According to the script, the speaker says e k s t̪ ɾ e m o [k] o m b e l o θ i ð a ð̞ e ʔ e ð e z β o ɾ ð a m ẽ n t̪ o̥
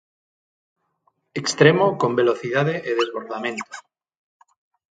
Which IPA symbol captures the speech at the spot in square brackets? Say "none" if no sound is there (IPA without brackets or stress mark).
k